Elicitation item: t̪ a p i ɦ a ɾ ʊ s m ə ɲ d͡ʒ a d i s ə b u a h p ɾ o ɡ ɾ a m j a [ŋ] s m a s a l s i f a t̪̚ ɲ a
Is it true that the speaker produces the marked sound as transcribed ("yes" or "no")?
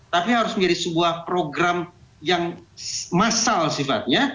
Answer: yes